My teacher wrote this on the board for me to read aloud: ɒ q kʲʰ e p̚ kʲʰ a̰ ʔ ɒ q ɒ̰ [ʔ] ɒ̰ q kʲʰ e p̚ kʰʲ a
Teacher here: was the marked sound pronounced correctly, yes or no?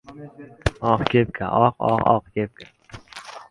no